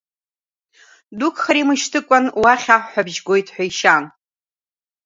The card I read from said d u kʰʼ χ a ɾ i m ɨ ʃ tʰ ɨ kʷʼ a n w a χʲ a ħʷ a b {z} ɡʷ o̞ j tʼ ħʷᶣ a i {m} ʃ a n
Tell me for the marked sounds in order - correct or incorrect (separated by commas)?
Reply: incorrect, incorrect